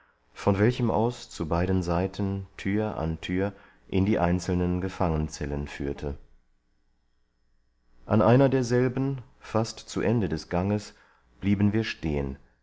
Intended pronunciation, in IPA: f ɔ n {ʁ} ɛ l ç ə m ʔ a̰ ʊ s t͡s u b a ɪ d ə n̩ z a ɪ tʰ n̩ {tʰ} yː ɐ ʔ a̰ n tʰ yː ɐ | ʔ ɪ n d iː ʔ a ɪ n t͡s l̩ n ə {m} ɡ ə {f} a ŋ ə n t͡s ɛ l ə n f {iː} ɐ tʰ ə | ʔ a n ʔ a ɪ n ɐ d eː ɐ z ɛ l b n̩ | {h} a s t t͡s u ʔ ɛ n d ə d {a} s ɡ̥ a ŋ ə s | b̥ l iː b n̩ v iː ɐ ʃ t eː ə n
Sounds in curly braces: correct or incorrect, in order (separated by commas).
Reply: incorrect, correct, incorrect, correct, incorrect, incorrect, incorrect